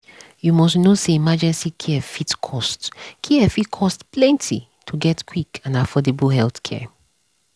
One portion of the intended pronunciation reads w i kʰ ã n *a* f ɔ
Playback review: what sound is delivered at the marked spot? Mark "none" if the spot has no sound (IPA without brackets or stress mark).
a